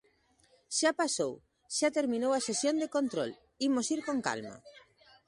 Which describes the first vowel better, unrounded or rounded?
unrounded